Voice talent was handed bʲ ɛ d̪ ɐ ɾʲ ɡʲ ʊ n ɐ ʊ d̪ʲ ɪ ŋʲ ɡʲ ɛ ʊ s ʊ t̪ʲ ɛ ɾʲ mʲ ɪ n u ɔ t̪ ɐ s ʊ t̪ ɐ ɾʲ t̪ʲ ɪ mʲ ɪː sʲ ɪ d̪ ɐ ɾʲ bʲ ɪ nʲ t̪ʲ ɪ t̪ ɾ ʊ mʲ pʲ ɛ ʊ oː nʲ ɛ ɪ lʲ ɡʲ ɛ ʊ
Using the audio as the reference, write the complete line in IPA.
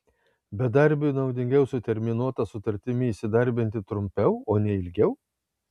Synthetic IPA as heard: bʲ ɛ d̪ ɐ ɾʲ bʲ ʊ n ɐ ʊ d̪ʲ ɪ ŋʲ ɡʲ ɛ ʊ s ʊ t̪ʲ ɛ ɾʲ mʲ ɪ n u ɔ t̪ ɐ s ʊ t̪ ɐ ɾʲ t̪ʲ ɪ mʲ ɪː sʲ ɪ d̪ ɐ ɾʲ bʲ ɪ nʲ t̪ʲ ɪ t̪ ɾ ʊ mʲ pʲ ɛ ʊ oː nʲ ɛ ɪ lʲ ɡʲ ɛ ʊ